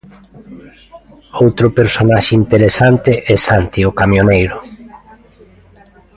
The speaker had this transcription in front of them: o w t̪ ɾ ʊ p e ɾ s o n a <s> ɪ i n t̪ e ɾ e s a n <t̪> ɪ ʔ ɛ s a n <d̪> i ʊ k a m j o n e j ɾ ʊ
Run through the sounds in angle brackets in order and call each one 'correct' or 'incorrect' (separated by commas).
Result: incorrect, correct, incorrect